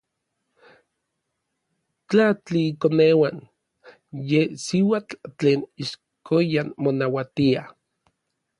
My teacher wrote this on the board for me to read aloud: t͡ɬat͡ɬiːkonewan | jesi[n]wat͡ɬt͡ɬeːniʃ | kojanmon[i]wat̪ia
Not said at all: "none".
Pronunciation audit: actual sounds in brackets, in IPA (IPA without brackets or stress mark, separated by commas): none, a